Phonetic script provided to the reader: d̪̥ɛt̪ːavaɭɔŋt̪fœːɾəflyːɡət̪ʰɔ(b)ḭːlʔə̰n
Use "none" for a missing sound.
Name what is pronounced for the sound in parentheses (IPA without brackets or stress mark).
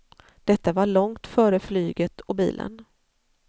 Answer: b